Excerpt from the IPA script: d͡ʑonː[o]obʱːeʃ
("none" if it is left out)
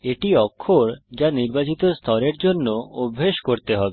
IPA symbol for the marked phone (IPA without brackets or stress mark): o